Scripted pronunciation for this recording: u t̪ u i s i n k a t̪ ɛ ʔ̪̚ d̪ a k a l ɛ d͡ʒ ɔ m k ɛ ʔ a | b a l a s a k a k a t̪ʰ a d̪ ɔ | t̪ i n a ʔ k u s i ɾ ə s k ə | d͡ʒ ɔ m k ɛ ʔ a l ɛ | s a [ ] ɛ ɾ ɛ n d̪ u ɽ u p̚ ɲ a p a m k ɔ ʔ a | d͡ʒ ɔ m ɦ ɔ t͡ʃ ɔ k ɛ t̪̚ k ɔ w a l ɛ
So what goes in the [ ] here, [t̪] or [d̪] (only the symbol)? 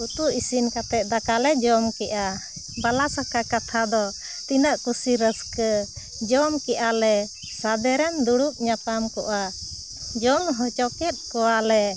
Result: d̪